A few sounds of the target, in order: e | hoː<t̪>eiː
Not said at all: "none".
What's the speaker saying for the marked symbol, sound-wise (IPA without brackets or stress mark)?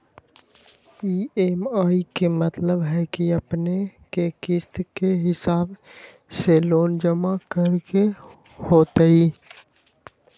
t̪